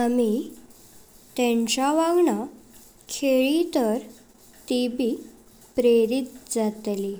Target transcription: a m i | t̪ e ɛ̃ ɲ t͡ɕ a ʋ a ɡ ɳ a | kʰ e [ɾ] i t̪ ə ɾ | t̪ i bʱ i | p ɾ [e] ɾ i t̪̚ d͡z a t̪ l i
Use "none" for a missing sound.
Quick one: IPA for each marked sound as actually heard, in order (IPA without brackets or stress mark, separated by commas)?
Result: ɭ, e